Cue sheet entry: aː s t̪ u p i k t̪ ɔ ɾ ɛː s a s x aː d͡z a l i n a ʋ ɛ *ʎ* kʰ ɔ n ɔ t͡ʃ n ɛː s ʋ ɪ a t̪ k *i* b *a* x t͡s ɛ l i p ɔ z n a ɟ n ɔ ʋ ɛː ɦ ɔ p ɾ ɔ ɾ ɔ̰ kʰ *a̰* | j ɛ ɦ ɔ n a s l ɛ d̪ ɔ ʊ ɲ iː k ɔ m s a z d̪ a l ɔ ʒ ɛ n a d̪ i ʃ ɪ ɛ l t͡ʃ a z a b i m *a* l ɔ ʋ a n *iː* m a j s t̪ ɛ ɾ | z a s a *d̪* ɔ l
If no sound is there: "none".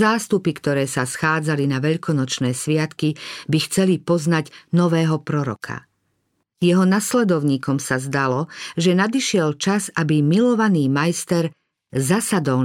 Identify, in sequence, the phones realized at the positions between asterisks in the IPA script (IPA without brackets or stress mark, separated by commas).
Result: ʎ, i, i, a̰, i, iː, d̪